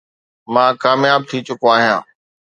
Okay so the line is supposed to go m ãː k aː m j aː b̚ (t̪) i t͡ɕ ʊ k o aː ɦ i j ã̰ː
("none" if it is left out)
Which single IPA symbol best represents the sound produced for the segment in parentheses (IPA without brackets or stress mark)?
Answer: t̪ʰ